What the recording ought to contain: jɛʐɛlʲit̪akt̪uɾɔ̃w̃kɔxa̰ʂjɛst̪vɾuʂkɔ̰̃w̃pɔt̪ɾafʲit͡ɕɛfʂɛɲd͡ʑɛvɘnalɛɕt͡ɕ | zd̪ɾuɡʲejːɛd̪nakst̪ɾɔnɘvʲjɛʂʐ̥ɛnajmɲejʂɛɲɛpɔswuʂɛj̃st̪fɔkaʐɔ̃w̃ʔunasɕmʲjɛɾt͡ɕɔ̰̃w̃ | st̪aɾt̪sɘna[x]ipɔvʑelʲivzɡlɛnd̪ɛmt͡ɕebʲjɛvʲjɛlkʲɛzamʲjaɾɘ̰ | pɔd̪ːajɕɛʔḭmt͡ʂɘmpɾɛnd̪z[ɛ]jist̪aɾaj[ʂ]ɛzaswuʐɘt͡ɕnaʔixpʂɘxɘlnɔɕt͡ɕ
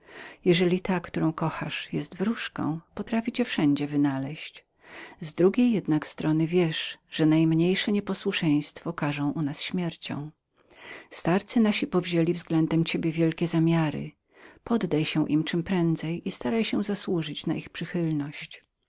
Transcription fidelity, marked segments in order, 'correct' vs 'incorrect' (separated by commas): incorrect, correct, incorrect